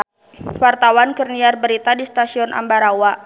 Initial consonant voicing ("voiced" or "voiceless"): voiced